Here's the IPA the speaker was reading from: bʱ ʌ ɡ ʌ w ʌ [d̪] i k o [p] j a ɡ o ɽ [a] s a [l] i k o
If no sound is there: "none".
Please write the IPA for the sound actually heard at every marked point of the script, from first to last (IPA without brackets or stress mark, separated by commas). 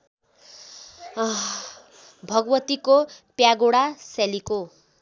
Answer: t̪, p, a, l